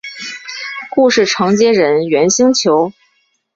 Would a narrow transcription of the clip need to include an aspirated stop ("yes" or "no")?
yes